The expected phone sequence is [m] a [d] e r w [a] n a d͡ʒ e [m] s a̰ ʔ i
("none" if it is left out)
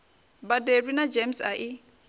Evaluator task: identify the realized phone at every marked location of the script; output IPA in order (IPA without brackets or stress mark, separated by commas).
b, d, i, m